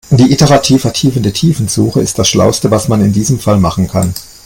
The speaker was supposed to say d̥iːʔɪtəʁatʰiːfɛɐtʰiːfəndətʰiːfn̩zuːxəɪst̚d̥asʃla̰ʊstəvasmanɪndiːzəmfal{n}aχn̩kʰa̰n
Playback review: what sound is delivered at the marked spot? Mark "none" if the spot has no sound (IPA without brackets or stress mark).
m